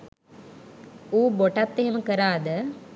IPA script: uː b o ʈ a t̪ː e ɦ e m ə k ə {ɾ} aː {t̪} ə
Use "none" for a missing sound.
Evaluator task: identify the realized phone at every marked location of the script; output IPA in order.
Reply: ɾ, d̪

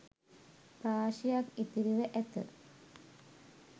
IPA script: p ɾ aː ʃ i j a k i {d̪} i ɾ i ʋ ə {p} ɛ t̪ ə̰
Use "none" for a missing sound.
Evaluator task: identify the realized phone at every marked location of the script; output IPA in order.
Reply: t̪, ʔ

